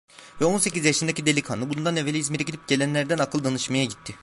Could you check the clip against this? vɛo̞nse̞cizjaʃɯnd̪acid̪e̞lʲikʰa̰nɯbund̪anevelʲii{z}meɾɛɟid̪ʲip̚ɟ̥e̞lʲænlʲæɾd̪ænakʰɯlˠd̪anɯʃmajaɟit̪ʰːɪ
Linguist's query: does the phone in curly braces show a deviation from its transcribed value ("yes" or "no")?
no